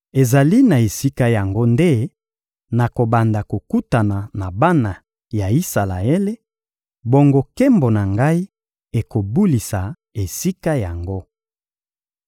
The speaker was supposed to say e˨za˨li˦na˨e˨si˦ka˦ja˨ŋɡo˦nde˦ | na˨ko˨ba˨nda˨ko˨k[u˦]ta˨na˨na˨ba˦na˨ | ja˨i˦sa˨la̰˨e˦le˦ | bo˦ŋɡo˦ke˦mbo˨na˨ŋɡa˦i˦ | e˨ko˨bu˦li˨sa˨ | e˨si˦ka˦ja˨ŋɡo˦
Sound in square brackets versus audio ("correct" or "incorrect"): correct